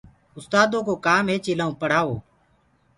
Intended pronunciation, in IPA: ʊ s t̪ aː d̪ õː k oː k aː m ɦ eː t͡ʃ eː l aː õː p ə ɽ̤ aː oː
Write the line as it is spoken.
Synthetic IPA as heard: ʊ s t̪ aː d̪ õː k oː k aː m ɦ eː t͡ʃ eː l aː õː p ə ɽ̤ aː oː